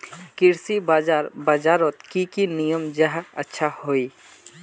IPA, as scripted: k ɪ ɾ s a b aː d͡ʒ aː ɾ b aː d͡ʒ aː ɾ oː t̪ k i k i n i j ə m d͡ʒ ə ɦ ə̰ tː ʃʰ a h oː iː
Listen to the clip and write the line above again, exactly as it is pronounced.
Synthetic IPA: k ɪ ɾ s i b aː d͡ʒ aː ɾ b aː d͡ʒ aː ɾ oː t̪ k i k i n i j ə m d͡ʒ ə ɦ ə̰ tː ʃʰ a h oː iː